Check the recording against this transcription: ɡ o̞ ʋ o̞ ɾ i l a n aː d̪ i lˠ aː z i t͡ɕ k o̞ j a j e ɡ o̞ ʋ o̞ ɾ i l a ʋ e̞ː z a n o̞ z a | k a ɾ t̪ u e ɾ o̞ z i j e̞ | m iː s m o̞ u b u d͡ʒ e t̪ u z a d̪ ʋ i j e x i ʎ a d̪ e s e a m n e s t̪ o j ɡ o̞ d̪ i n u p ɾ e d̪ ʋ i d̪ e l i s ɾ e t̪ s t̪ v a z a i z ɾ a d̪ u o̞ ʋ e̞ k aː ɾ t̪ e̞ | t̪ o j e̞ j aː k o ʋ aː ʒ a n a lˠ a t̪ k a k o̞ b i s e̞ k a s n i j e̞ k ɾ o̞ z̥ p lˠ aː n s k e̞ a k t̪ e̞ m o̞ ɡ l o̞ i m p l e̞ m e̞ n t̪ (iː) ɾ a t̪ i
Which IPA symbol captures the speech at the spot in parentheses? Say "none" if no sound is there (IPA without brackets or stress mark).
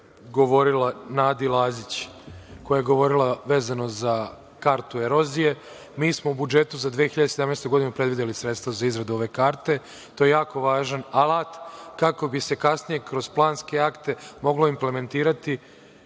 iː